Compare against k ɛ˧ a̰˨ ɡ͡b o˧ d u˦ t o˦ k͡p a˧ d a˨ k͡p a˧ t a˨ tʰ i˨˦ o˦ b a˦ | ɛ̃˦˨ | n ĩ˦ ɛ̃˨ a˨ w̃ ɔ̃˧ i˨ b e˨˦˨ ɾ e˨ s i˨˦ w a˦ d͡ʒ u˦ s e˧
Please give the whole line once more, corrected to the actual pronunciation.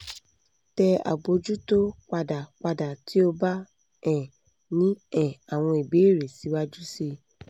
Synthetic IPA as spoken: t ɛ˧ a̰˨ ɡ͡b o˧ d͡ʒ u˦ t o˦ k͡p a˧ d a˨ k͡p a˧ d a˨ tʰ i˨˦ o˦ b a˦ | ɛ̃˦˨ | n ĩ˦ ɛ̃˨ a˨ w̃ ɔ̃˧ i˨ b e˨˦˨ ɾ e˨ s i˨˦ w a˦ d͡ʒ u˦ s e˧

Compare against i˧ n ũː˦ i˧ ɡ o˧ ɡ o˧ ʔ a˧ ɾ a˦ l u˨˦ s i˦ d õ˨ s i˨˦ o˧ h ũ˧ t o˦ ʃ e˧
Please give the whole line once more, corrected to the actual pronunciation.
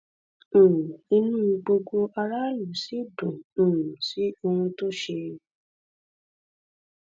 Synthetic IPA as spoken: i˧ n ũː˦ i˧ ɡ͡b o˧ ɡ o˧ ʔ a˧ ɾ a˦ l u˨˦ s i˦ d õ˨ s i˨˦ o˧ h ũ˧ t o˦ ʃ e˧

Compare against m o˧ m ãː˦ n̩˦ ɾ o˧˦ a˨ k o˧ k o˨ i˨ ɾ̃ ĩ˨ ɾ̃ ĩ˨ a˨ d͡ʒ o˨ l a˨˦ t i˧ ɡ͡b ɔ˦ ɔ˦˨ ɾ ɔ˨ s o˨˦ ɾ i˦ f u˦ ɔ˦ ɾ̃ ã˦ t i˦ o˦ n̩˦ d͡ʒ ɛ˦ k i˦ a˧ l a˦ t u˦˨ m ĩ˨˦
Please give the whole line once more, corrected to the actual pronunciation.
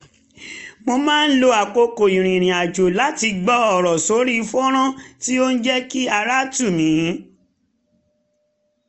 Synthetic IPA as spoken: m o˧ m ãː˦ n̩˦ l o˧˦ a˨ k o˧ k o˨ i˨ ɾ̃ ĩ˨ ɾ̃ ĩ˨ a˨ d͡ʒ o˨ l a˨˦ t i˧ ɡ͡b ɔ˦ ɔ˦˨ ɾ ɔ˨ s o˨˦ ɾ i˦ f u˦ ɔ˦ ɾ̃ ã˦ t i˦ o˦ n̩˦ d͡ʒ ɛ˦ k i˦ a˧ ɾ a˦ t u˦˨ m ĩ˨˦

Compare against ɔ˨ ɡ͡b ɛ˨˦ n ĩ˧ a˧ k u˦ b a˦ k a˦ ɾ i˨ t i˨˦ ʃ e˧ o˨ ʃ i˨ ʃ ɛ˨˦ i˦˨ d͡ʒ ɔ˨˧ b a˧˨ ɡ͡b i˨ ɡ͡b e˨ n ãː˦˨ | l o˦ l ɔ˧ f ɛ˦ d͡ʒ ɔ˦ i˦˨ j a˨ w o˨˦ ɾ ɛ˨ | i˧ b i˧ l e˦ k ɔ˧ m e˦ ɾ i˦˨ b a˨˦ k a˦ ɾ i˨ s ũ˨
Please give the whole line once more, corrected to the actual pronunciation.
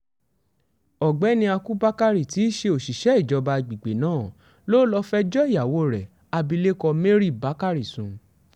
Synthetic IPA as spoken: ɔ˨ ɡ͡b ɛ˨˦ n ĩ˧ a˧ k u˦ b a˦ k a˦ ɾ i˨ t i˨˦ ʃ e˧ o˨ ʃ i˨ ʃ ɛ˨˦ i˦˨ d͡ʒ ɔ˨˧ b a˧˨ ɡ͡b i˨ ɡ͡b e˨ n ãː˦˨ | l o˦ l ɔ˧ f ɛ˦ d͡ʒ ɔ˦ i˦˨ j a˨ w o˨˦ ɾ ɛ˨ | a˧ b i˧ l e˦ k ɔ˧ m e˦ ɾ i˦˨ b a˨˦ k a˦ ɾ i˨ s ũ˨

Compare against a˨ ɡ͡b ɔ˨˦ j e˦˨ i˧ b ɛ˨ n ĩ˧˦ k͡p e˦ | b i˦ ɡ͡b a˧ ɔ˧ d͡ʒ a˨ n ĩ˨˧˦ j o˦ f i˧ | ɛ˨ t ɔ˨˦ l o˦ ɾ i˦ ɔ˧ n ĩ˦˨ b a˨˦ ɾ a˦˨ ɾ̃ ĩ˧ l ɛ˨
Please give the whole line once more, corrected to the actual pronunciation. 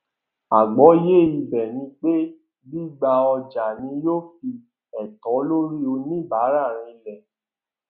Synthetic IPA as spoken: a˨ ɡ͡b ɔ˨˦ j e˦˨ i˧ b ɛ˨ n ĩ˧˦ k͡p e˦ | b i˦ ɡ͡b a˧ ɔ˧ d͡ʒ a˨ n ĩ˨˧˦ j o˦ f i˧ | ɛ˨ t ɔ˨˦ l o˦ ɾ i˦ o˧ n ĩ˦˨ b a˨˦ ɾ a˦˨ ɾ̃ ĩ˧ l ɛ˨

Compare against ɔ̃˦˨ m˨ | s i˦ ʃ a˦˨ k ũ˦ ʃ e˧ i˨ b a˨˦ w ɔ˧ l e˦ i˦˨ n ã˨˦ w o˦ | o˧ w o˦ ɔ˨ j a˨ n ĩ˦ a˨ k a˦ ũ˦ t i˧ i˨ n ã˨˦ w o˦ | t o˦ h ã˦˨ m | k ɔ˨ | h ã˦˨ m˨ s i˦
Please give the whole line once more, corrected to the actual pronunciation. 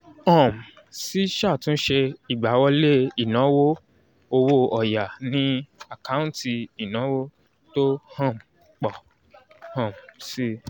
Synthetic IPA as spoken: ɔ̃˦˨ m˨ | s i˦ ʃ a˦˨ t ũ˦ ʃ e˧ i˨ ɡ͡b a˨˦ w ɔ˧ l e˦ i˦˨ n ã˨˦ w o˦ | o˧ w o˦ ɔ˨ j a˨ n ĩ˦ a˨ k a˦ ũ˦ t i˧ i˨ n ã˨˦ w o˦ | t o˦ h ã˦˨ m | k͡p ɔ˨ | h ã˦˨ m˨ s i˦

